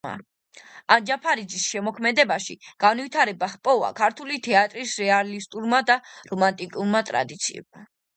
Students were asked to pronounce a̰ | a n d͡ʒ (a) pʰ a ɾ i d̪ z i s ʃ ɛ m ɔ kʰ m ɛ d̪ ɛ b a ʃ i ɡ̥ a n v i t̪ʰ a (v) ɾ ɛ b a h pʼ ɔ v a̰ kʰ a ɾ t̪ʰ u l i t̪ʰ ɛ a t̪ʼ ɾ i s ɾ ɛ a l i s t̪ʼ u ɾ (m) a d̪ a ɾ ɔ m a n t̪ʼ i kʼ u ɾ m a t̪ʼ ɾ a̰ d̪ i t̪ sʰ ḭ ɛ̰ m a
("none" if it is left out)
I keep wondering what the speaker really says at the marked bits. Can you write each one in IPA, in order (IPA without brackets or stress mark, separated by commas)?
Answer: a, none, m